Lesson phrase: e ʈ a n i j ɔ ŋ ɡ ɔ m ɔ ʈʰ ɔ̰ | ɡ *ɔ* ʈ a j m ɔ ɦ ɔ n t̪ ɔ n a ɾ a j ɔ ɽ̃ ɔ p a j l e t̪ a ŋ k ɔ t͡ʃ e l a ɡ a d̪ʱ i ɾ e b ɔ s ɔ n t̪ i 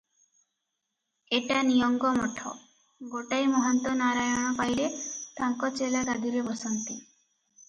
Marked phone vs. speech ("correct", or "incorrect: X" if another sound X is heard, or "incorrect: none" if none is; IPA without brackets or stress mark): incorrect: o